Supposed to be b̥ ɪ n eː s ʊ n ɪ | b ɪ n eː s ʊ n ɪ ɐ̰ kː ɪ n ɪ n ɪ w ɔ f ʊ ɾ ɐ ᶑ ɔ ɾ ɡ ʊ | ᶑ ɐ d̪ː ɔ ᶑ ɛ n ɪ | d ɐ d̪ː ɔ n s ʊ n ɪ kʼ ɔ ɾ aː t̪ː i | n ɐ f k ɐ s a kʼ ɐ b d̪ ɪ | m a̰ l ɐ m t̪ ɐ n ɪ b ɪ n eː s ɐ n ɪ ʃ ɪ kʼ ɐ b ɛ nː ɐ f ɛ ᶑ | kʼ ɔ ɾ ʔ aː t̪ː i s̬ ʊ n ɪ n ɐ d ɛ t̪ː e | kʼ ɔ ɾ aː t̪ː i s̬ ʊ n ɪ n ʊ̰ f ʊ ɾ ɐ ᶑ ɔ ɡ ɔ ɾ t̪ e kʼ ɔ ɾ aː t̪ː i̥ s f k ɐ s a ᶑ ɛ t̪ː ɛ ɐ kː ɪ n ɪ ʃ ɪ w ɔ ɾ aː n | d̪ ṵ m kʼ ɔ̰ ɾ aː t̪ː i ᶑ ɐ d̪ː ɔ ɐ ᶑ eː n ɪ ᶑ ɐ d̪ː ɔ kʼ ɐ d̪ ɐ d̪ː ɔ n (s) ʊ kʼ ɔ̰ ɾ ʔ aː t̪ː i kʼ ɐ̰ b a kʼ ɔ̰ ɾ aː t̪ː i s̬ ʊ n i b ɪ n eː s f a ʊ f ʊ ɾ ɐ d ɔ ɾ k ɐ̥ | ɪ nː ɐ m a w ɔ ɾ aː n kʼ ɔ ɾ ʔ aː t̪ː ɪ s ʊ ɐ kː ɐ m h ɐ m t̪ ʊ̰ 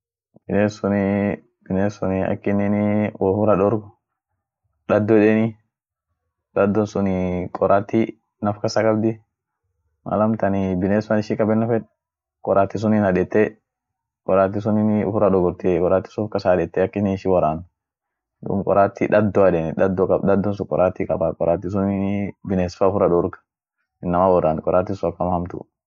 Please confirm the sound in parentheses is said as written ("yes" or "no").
yes